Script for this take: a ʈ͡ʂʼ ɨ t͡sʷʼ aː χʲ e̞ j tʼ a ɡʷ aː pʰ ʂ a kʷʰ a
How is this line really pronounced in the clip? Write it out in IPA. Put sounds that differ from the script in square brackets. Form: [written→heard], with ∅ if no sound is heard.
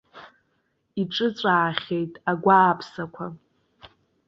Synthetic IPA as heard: [a→i] ʈ͡ʂʼ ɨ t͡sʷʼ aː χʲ e̞ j tʼ a ɡʷ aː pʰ [ʂ→s] a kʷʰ a